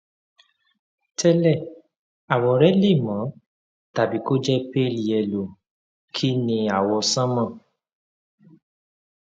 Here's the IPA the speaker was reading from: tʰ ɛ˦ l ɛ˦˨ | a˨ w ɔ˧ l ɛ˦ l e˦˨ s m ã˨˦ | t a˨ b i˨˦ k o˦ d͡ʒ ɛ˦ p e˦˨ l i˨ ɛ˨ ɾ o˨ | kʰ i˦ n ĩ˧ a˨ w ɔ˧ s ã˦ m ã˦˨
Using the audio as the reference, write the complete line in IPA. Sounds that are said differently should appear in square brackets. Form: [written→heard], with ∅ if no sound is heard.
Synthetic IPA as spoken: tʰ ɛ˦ l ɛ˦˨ | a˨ w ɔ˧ [l→ɾ] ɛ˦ l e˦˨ [s→∅] m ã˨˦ | t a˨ b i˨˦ k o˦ d͡ʒ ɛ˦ p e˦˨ l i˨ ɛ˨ [ɾ→l] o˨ | kʰ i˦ n ĩ˧ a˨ w ɔ˧ s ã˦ m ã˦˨